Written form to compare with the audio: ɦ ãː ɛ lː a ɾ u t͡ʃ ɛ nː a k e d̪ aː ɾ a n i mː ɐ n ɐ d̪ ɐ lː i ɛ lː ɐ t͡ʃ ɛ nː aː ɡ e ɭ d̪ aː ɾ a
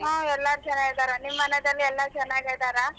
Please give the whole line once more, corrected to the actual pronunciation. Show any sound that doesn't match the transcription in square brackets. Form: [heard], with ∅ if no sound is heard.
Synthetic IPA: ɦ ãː ɛ lː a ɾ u t͡ʃ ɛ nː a [ɡ] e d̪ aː ɾ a n i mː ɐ n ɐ d̪ ɐ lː i ɛ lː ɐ t͡ʃ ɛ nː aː ɡ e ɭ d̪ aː ɾ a